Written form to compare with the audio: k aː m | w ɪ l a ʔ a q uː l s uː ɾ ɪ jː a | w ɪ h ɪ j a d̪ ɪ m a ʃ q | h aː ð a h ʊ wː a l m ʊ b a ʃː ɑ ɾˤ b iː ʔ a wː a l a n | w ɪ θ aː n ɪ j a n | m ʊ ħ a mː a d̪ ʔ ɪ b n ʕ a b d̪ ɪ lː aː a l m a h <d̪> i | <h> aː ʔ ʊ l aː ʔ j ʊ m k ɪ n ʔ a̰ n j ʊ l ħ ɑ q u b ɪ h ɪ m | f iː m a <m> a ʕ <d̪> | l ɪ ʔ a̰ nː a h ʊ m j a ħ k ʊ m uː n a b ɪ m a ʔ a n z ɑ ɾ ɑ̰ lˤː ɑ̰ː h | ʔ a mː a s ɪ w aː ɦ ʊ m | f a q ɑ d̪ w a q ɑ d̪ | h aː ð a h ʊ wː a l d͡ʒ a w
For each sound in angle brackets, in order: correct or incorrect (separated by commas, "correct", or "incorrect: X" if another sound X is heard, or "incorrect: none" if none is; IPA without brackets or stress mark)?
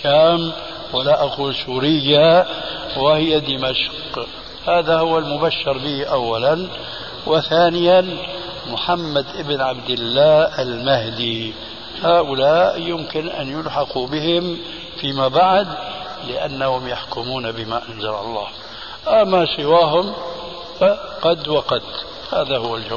correct, correct, incorrect: b, correct